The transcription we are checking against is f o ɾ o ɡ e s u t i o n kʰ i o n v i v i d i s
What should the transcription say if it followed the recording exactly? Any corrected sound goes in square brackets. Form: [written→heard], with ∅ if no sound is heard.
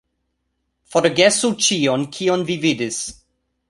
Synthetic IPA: f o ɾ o ɡ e s u [t→t͡ʃ] i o n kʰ i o n v i v i d i s